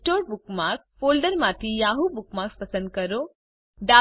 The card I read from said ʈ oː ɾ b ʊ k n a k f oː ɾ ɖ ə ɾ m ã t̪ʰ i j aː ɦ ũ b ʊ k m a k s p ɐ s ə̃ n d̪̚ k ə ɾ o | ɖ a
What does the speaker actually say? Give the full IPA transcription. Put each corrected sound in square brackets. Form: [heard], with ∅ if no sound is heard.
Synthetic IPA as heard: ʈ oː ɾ b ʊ k [m] a k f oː [l] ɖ ə ɾ m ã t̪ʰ i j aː ɦ [u] b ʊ k m a k s p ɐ s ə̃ n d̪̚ k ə ɾ o | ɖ a

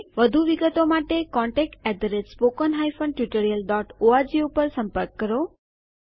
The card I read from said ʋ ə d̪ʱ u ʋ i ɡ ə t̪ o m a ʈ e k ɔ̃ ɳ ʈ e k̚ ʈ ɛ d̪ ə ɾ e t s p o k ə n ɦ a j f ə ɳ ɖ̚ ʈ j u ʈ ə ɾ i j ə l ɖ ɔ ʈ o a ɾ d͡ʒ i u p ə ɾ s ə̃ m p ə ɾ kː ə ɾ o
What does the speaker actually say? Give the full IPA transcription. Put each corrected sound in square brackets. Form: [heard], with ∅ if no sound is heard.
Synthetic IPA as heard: ʋ ə d̪ʱ u ʋ i ɡ ə t̪ o m a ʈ e k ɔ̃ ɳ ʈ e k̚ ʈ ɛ d̪ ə ɾ e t s p o k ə n ɦ a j f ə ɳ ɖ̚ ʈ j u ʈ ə ɾ i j ə l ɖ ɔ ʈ o a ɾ d͡ʒ i u p ə ɾ s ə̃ m p ə ɾ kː ə ɾ o

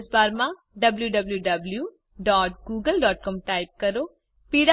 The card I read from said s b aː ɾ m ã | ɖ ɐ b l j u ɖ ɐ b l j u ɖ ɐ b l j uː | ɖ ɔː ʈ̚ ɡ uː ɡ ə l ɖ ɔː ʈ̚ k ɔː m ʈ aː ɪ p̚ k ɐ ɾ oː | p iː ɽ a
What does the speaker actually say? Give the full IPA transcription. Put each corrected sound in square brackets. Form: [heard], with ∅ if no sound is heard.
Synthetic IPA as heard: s b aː ɾ m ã | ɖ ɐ b l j u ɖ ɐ b l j u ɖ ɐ b l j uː | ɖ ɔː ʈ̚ ɡ uː ɡ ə l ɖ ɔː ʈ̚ k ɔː m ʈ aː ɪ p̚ k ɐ ɾ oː | p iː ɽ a

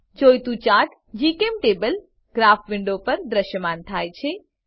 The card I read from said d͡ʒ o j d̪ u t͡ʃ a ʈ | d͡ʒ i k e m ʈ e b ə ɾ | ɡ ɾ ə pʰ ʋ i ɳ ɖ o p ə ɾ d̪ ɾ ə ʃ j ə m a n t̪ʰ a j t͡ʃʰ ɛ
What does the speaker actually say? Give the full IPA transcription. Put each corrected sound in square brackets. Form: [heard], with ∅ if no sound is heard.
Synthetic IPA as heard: d͡ʒ o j [t̪] u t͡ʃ a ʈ | d͡ʒ i k e m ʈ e b ə [l] | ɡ ɾ [a] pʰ ʋ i ɳ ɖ o p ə ɾ d̪ ɾ ə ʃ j ə m a n t̪ʰ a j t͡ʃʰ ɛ

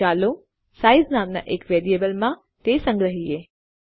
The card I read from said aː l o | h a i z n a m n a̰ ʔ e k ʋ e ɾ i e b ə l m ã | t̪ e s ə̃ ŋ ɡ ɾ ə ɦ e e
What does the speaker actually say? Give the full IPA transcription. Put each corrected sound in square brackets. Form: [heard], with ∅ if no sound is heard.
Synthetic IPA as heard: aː l o | [s] a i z n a m n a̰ ʔ e k ʋ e ɾ i e b ə l m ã | t̪ e s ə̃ ŋ ɡ ɾ ə ɦ [i] e

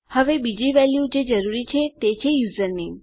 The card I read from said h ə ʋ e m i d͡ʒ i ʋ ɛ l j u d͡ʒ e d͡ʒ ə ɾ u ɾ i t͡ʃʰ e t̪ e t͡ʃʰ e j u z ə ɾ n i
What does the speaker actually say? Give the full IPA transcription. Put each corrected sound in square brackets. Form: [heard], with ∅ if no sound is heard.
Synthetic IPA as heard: h ə ʋ e [b] i d͡ʒ i ʋ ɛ l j u d͡ʒ e d͡ʒ ə ɾ u ɾ i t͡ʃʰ e t̪ e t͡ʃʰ e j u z ə ɾ n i

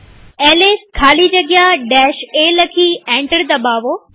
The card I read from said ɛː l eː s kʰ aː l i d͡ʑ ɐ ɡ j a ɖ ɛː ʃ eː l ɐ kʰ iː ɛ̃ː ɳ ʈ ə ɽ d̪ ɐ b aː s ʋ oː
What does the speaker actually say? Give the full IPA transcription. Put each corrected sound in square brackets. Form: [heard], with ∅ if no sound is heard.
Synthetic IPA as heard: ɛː l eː s kʰ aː l i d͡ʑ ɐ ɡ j a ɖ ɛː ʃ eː l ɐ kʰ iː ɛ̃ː ɳ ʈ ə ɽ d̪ ɐ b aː [∅] ʋ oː

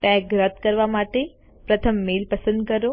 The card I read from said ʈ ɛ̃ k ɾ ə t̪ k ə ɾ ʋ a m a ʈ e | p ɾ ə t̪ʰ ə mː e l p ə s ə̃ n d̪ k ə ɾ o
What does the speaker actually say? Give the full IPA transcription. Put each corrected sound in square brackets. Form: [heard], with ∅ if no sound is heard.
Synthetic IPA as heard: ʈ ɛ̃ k ɾ ə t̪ k ə ɾ ʋ a m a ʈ e | p ɾ ə t̪ʰ ə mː e l p ə s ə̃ n d̪ k ə ɾ o

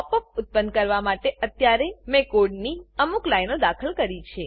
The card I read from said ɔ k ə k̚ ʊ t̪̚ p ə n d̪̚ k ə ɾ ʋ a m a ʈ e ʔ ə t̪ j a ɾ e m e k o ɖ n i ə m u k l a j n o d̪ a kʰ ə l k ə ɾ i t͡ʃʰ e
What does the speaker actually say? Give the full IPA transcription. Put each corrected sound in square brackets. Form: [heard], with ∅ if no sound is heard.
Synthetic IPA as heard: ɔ [p] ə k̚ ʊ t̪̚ p ə n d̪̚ k ə ɾ ʋ a m a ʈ e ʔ ə t̪ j a ɾ e m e k o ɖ n i ə m u k l a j n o d̪ a kʰ ə l k ə ɾ i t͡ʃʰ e

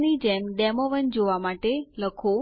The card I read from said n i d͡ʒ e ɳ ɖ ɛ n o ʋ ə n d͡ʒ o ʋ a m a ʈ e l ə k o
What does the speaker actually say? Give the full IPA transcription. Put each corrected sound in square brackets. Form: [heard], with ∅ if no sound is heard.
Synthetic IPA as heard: n i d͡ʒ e [m] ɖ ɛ [m] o ʋ ə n d͡ʒ o ʋ a m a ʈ e l ə [kʰ] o

